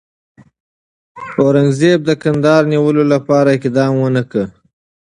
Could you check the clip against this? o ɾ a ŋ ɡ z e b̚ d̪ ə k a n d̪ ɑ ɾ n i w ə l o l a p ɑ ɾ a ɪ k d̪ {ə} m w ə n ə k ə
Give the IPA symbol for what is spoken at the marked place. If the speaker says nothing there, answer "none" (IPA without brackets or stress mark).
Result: ɑ